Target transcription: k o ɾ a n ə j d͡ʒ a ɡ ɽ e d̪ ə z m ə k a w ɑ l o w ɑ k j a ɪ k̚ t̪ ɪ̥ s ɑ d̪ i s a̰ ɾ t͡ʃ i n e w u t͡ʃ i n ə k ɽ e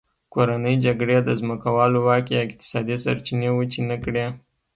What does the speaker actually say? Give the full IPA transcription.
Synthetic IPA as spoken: k o ɾ a n ə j d͡ʒ a ɡ ɽ e d̪ ə z m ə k a w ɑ l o w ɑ k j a ɪ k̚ t̪ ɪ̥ s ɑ d̪ i s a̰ ɾ t͡ʃ i n e w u t͡ʃ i n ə k ɽ e